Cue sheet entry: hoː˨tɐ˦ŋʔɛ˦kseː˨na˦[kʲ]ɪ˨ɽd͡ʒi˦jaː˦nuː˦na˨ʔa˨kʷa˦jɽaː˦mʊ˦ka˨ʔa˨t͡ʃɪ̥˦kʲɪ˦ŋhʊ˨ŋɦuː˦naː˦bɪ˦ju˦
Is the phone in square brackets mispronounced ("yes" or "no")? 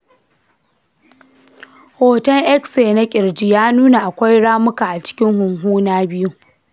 yes